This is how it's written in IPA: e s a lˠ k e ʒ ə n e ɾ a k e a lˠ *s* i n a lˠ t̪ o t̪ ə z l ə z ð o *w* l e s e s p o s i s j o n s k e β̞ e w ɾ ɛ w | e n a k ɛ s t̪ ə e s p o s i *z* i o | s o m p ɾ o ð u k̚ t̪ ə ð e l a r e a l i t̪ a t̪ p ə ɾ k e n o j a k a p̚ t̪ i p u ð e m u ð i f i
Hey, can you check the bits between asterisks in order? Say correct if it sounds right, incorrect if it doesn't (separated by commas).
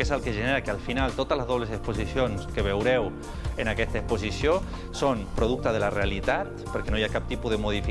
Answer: incorrect, incorrect, incorrect